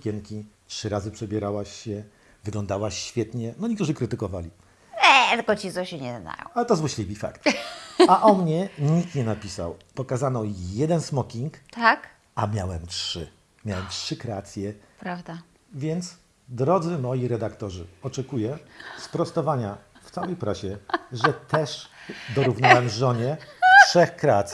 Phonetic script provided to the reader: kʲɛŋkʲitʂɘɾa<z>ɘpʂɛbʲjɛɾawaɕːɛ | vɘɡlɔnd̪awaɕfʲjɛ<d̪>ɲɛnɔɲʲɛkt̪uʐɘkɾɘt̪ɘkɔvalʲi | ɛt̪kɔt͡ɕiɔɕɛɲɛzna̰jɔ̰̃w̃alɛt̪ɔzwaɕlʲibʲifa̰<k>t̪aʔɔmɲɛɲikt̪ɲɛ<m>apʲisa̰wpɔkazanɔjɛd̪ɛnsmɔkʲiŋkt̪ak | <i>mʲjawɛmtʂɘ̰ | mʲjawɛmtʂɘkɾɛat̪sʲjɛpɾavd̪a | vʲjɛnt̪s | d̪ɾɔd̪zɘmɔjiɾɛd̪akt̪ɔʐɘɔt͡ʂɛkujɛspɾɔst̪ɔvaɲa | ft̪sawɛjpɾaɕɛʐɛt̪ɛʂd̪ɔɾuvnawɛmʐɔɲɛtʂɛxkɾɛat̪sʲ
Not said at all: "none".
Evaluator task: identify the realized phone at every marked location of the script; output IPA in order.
z, t̪, k, n, a

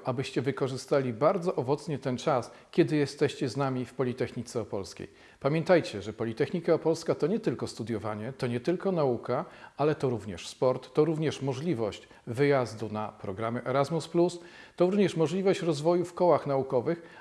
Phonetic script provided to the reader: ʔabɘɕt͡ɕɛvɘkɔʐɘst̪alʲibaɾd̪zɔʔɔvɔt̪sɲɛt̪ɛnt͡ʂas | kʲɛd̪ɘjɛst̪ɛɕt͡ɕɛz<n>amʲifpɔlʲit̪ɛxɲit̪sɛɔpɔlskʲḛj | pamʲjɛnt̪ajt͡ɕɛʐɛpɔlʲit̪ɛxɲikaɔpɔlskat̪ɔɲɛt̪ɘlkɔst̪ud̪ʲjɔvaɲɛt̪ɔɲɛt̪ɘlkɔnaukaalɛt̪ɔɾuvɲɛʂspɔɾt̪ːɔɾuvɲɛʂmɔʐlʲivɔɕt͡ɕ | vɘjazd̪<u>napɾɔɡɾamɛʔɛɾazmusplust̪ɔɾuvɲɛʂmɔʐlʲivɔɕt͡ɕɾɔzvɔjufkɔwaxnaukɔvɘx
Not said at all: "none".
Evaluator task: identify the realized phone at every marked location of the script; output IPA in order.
n, u

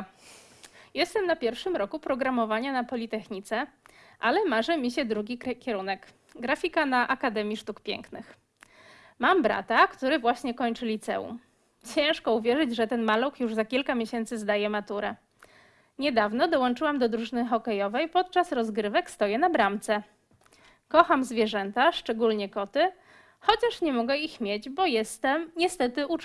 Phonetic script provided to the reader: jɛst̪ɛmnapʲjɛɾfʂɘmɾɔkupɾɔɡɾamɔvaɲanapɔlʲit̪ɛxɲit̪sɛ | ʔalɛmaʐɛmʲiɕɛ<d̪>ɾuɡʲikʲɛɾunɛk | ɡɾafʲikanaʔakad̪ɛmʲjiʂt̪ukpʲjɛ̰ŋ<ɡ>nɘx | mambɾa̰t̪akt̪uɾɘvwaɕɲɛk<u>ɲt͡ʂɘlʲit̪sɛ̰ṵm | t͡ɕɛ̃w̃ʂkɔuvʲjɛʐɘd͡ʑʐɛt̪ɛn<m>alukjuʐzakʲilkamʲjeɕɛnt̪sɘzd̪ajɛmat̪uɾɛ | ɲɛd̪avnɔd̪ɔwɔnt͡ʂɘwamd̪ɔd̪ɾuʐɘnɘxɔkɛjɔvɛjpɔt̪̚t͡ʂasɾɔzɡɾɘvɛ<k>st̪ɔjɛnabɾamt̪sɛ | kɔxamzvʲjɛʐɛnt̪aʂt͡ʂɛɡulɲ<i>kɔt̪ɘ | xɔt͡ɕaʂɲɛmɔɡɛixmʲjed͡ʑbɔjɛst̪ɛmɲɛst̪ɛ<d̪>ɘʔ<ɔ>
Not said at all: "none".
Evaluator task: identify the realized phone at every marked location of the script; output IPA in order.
d̪, k, ɔ, m, k, ɛ, t̪, u

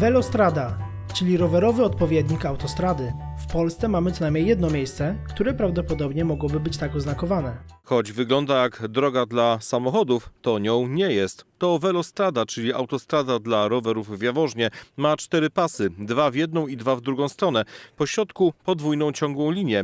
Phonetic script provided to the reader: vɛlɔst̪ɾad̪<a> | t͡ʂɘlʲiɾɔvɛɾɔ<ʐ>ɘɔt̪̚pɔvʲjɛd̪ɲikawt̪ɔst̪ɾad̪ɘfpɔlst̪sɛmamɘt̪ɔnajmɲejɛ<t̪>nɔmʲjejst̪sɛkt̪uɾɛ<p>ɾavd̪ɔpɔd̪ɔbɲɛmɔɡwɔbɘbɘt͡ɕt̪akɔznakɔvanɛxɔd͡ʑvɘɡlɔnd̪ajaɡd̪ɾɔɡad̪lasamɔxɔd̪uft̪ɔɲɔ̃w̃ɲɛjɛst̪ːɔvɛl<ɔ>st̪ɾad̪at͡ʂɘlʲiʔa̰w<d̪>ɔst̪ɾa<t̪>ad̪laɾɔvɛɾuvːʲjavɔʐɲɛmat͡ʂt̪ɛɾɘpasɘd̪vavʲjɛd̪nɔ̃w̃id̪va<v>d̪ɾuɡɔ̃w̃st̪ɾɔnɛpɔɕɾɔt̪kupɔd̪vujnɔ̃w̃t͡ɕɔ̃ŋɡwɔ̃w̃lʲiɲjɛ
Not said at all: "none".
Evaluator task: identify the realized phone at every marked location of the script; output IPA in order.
a, v, d̪, p, ɔ, t̪, d̪, v

